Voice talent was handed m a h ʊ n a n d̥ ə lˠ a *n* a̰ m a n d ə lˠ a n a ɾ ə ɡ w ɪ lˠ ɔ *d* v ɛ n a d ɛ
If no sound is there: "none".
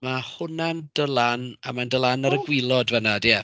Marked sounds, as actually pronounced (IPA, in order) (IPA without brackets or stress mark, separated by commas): n, d